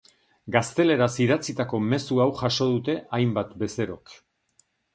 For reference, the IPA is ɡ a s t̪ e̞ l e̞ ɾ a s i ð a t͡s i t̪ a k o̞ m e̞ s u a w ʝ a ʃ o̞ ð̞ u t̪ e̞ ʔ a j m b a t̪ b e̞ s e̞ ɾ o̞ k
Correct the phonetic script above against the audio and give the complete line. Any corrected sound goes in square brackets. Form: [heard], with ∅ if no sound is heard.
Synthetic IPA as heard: ɡ a s t̪ e̞ l e̞ ɾ a s i ð a t͡s i t̪ a k o̞ m e̞ s u a w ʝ a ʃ o̞ ð̞ u t̪ e̞ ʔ a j m b a t̪ b e̞ s e̞ ɾ o̞ k

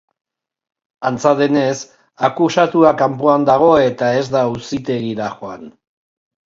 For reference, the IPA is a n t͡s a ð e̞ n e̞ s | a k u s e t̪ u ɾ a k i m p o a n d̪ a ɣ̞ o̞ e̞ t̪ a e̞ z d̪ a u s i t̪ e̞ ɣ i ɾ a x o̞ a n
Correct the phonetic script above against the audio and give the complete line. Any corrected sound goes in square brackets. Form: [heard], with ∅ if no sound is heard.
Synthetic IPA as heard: a n t͡s a ð e̞ n e̞ s | a k u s [a] t̪ u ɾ a k [a] m p o a n d̪ a ɣ̞ o̞ e̞ t̪ a e̞ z d̪ a u s i t̪ e̞ ɣ i ɾ a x o̞ a n

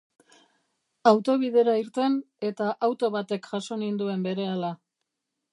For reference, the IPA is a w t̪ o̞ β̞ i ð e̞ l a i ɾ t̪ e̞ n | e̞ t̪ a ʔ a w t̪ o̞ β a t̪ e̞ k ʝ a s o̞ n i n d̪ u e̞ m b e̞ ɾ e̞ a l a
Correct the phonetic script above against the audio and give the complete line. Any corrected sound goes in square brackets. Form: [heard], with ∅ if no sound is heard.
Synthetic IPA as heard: a w t̪ o̞ β̞ i ð e̞ [ɾ] a i ɾ t̪ e̞ n | e̞ t̪ a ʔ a w t̪ o̞ β a t̪ e̞ k ʝ a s o̞ n i n d̪ u e̞ m b e̞ ɾ e̞ a l a

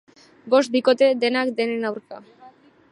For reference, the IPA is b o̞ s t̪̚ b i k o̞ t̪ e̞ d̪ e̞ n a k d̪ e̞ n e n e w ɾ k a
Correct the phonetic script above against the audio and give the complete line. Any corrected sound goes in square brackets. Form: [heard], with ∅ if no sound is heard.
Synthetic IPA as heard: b o̞ s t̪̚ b i k o̞ t̪ e̞ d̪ e̞ n a k d̪ e̞ n e n [a] w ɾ k a

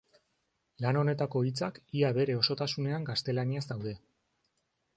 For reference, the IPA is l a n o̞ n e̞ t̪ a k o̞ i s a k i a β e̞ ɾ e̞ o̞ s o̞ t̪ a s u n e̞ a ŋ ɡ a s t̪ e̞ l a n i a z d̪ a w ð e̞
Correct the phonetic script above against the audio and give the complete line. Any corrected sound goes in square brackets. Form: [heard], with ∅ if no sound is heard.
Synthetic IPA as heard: l a n o̞ n e̞ t̪ a k o̞ i [t͡s] a k i a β e̞ ɾ e̞ o̞ s o̞ t̪ a s u n e̞ a ŋ ɡ a s t̪ e̞ l a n i a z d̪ a w ð e̞

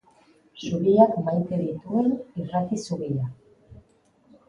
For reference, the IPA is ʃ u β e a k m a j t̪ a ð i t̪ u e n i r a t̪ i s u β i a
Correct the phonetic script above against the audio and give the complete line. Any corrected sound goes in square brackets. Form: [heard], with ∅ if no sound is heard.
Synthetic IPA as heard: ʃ u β [i] a k m a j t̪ [e] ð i t̪ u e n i r a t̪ i s u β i a

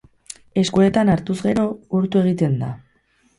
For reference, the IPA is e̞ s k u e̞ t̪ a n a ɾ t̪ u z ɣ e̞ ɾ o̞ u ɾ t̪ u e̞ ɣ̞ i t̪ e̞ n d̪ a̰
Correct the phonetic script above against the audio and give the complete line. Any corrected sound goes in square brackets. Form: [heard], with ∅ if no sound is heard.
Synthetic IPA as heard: e̞ s k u e̞ t̪ a n a ɾ t̪ u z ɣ e̞ ɾ o̞ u ɾ t̪ u e̞ ɣ̞ i t̪ e̞ n d̪ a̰

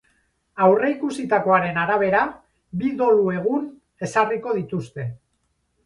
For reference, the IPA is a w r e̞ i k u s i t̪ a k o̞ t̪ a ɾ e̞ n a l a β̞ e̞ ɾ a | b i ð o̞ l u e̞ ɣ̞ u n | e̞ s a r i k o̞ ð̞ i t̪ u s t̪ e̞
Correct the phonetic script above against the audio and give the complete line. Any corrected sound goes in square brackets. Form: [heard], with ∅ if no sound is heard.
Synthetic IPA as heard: a w r e̞ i k u s i t̪ a k o̞ [∅] a ɾ e̞ n a [ɾ] a β̞ e̞ ɾ a | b i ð o̞ l u e̞ ɣ̞ u n | e̞ s a r i k o̞ ð̞ i t̪ u s t̪ e̞

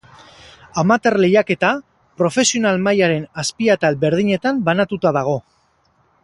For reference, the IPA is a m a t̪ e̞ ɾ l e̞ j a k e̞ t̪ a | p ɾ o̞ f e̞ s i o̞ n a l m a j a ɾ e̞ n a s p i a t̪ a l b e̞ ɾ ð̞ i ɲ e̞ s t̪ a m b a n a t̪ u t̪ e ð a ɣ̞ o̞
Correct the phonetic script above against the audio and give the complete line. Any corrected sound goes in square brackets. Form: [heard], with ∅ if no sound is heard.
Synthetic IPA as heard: a m a t̪ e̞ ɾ l e̞ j a k e̞ t̪ a | p ɾ o̞ f e̞ s i o̞ n a l m a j a ɾ e̞ n a s p i a t̪ a l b e̞ ɾ ð̞ i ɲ e̞ [∅] t̪ a m b a n a t̪ u t̪ [a] ð a ɣ̞ o̞

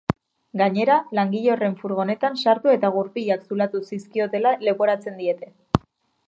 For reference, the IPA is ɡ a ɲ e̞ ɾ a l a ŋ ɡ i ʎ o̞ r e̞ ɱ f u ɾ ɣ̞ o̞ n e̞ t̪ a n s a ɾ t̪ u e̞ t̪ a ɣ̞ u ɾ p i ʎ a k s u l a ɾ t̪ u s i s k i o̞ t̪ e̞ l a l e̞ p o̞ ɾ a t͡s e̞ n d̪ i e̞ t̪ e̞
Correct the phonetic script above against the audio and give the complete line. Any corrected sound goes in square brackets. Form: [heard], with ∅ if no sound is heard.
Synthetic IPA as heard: ɡ a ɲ e̞ ɾ a l a ŋ ɡ i ʎ o̞ r e̞ ɱ f u ɾ ɣ̞ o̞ n e̞ t̪ a n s a ɾ t̪ u e̞ t̪ a ɣ̞ u ɾ p i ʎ a k s u l a [∅] t̪ u s i s k i o̞ t̪ e̞ l a l e̞ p o̞ ɾ a t͡s e̞ n d̪ i e̞ t̪ e̞

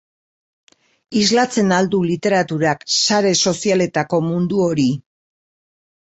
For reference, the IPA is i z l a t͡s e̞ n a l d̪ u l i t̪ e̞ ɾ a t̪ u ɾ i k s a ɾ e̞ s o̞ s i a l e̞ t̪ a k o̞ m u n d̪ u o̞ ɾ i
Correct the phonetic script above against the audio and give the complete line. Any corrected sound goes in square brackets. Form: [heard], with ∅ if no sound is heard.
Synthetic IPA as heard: i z l a t͡s e̞ n a l d̪ u l i t̪ e̞ ɾ a t̪ u ɾ [a] k s a ɾ e̞ s o̞ s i a l e̞ t̪ a k o̞ m u n d̪ u o̞ ɾ i

